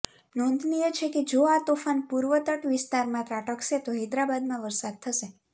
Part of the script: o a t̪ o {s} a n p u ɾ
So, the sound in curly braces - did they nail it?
no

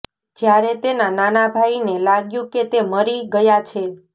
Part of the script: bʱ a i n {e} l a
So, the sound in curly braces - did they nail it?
yes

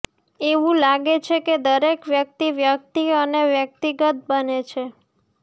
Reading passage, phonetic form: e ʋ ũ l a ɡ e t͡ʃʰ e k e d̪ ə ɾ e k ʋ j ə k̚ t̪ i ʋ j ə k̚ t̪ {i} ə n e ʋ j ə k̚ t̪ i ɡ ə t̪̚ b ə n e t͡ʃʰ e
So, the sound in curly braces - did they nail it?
yes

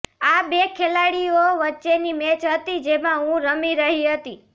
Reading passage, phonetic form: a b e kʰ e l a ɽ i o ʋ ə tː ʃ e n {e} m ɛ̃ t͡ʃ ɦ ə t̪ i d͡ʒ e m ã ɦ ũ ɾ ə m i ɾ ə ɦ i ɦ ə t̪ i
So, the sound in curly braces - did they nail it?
no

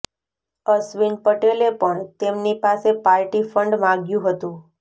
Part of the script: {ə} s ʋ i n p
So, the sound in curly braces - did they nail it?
yes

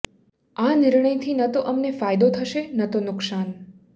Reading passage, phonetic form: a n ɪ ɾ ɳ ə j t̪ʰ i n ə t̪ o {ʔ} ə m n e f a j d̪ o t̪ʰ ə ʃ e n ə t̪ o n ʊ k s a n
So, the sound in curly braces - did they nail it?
yes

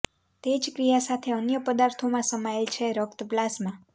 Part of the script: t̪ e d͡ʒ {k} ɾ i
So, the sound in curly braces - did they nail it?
yes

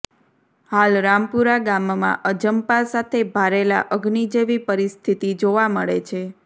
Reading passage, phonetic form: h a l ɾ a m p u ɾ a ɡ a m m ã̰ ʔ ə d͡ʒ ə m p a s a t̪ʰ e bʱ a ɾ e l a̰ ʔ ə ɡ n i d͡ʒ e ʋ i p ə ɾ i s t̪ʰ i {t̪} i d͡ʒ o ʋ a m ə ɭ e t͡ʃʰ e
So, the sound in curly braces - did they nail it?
yes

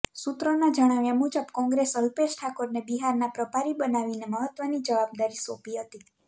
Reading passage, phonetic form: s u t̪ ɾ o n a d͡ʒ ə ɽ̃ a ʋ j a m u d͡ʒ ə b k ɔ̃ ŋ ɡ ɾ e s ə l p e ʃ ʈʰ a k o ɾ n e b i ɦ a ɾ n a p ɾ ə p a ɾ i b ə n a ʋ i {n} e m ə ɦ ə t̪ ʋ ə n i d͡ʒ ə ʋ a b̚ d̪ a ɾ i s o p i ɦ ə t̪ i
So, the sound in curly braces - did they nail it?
yes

